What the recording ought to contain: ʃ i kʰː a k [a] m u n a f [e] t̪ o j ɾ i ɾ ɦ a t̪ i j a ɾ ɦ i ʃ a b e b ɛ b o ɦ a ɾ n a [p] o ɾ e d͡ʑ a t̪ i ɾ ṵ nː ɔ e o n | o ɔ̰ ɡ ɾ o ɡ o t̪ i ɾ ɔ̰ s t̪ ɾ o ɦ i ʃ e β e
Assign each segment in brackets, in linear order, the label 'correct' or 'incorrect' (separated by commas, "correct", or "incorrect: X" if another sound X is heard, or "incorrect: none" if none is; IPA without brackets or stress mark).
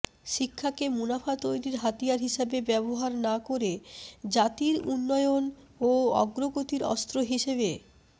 incorrect: e, incorrect: a, incorrect: k